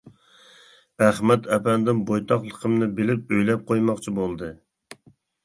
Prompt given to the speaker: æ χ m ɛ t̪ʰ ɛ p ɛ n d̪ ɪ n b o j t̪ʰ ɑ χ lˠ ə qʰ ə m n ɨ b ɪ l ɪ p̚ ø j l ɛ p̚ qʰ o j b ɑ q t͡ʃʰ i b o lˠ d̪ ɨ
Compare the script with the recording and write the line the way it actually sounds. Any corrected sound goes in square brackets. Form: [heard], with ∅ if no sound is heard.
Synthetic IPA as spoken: æ χ m ɛ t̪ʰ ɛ p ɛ n d̪ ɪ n b o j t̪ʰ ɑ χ lˠ ə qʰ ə m n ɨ b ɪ l ɪ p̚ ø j l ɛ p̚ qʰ o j [m] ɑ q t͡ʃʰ i b o lˠ d̪ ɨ